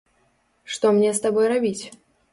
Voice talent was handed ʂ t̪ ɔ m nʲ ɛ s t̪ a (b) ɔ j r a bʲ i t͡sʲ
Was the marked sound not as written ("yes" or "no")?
no